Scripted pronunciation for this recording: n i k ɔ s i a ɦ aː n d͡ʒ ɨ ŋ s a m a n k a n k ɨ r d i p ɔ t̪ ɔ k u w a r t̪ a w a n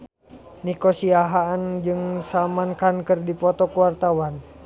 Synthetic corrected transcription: n i k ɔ s i a ɦ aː n d͡ʒ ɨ ŋ s a m a n k a n k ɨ r d i p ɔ t̪ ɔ k u w a r t̪ a w a n

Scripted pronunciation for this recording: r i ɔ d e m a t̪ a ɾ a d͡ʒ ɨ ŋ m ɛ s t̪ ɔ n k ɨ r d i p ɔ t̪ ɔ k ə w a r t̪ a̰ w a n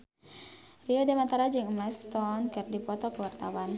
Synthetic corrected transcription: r i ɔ d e m a t̪ a ɾ a d͡ʒ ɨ ŋ m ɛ s t̪ ɔ n k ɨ r d i p ɔ t̪ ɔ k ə w a r t̪ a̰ w a n

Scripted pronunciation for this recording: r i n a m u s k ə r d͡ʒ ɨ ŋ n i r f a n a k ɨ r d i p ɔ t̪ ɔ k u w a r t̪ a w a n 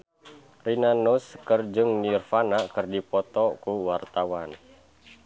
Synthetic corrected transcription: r i n a n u s k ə r d͡ʒ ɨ ŋ n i r f a n a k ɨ r d i p ɔ t̪ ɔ k u w a r t̪ a w a n

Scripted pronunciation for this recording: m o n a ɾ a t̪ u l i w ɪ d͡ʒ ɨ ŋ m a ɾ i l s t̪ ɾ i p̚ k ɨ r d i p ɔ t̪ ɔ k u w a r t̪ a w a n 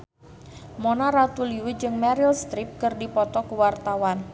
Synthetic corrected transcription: m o n a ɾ a t̪ u l i w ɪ d͡ʒ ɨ ŋ m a ɾ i l s t̪ ɾ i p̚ k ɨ r d i p ɔ t̪ ɔ k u w a r t̪ a w a n

